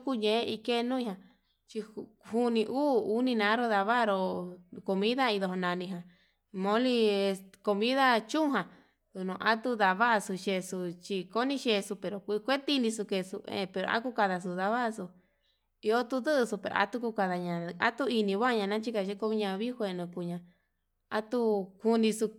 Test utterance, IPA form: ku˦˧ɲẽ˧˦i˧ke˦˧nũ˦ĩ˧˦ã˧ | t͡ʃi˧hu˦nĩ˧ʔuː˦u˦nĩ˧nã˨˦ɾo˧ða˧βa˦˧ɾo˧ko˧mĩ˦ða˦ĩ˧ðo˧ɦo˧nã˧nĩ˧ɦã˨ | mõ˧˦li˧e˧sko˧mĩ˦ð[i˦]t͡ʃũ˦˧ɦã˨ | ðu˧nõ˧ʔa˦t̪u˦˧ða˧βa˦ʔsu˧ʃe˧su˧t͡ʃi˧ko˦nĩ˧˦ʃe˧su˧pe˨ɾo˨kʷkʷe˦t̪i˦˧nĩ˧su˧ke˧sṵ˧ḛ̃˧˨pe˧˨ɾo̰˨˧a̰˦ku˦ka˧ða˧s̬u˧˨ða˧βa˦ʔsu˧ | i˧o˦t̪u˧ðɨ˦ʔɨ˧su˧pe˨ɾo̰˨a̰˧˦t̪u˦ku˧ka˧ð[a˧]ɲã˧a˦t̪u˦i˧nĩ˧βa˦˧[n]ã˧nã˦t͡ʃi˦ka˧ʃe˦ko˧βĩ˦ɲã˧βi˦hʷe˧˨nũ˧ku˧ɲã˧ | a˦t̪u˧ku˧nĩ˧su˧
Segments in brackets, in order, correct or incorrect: incorrect, correct, incorrect

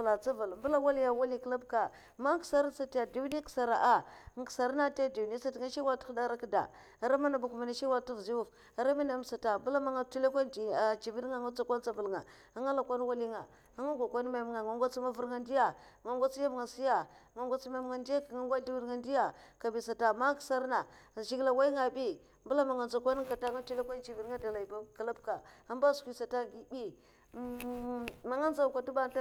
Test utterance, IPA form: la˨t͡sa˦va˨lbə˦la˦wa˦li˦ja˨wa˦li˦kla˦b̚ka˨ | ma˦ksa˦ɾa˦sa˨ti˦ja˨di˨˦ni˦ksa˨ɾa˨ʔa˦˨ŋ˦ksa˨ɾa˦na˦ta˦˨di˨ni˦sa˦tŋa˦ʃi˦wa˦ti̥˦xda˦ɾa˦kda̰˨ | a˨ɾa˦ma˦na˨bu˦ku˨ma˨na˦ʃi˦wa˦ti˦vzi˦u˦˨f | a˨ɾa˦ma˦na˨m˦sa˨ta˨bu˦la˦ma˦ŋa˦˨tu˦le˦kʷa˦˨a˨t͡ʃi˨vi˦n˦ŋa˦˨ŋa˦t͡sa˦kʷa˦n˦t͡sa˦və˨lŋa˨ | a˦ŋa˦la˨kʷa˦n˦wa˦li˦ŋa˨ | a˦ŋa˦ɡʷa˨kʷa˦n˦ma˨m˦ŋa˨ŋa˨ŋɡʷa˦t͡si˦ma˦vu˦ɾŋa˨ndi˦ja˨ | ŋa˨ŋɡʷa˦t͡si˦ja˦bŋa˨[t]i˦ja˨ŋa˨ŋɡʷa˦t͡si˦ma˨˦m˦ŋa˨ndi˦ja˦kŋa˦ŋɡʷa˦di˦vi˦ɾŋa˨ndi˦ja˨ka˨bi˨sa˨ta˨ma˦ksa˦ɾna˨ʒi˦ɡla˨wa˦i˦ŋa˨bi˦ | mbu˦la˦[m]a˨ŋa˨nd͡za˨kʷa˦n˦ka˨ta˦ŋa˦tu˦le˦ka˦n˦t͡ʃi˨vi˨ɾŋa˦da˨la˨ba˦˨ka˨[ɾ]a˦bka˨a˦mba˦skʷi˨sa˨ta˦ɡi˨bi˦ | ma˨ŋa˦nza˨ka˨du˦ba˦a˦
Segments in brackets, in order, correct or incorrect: incorrect, correct, incorrect

